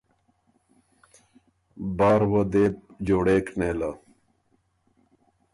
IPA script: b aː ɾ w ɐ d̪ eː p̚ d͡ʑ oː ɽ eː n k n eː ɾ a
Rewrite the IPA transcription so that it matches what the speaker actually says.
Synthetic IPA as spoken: b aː ɾ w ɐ d̪ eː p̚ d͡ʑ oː ɽ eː k n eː l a